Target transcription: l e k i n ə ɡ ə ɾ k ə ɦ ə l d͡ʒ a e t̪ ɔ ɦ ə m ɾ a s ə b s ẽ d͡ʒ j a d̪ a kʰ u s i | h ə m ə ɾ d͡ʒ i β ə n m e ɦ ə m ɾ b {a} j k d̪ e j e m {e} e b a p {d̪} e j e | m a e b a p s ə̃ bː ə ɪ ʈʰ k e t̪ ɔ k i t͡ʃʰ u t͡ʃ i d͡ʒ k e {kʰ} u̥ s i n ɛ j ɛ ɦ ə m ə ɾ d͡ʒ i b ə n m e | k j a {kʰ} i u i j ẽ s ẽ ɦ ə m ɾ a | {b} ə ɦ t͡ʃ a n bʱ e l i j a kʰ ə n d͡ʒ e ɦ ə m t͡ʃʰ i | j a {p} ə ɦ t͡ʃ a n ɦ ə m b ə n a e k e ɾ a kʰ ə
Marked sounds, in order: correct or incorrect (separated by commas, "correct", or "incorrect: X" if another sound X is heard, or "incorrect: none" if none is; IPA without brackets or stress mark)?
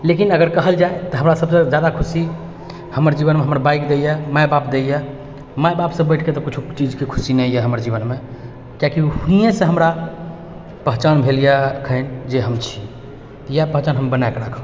correct, incorrect: a, correct, correct, incorrect: k, incorrect: p, correct